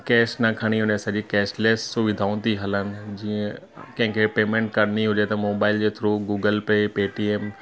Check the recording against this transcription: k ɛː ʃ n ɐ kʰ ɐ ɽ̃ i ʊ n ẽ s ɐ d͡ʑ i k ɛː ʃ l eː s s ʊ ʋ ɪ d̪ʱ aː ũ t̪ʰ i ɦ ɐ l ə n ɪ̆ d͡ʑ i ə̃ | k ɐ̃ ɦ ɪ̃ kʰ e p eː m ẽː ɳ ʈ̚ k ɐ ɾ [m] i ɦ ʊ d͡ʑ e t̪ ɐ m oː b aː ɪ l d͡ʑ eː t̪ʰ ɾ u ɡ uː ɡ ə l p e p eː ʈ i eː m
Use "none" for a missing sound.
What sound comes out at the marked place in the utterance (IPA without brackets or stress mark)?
n